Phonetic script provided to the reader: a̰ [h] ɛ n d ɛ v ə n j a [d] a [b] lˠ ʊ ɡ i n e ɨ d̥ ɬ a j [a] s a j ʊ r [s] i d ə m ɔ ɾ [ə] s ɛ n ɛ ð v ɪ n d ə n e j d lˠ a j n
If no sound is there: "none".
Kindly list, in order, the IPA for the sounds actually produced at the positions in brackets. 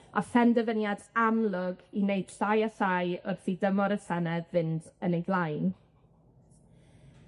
f, d, m, a, θ, ə

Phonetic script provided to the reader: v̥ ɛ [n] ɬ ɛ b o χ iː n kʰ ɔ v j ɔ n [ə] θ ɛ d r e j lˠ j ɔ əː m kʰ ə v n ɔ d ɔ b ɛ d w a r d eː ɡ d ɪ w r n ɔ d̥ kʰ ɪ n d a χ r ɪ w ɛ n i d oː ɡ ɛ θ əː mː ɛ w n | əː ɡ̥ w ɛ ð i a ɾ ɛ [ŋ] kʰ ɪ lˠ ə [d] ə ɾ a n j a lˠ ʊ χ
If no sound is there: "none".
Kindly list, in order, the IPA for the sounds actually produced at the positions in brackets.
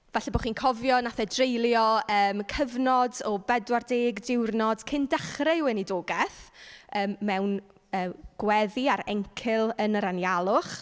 none, a, ŋ, n

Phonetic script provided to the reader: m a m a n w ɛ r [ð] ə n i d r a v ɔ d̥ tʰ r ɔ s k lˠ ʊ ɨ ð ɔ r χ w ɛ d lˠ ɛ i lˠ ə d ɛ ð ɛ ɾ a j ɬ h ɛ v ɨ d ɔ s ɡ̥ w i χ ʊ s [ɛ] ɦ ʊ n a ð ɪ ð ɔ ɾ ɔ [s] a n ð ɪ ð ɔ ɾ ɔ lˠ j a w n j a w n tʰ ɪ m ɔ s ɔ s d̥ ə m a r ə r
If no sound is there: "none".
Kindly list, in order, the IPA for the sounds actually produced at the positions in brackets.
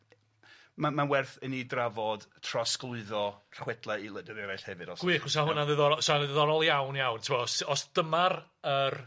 θ, a, s

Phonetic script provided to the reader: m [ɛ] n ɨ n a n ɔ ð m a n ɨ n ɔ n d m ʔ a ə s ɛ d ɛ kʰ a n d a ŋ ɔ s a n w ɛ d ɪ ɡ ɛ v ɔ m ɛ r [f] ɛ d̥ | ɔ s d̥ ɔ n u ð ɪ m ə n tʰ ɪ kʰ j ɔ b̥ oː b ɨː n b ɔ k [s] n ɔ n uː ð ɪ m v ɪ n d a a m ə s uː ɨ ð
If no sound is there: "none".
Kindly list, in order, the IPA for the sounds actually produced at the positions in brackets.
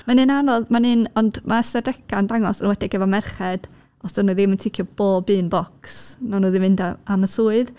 a, χ, s

